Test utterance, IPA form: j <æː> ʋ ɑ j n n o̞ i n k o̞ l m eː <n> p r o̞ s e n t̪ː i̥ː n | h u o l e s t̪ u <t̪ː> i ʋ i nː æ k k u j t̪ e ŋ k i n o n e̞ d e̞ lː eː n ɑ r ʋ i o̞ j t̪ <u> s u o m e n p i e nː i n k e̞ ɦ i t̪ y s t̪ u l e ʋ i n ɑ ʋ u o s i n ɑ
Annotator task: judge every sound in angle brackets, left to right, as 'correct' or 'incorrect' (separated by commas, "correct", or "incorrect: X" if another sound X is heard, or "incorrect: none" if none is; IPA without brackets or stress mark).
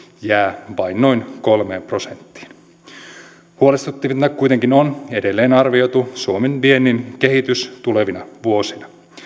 correct, incorrect: m, correct, correct